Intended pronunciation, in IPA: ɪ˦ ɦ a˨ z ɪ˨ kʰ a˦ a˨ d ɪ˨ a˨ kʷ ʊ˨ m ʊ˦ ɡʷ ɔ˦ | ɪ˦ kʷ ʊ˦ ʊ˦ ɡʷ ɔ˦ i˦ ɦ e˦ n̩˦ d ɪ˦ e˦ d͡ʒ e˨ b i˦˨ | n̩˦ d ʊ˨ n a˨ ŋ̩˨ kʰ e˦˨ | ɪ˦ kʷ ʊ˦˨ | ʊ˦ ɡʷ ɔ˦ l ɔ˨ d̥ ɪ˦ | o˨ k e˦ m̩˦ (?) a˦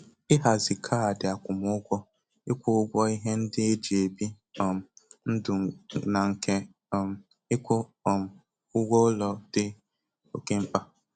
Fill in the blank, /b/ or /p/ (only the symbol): p